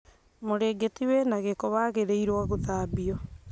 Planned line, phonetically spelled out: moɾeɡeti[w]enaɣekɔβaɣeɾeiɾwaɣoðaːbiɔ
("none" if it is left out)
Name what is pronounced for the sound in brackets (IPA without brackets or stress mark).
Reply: w